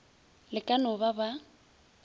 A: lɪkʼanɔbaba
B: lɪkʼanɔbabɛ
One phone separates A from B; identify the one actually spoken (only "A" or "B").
A